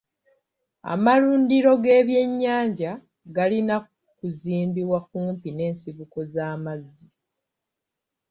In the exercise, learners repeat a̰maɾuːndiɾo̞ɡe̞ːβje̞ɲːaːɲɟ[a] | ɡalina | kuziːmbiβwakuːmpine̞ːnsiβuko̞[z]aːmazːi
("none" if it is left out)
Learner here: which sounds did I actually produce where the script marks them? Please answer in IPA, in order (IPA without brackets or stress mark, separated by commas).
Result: a, z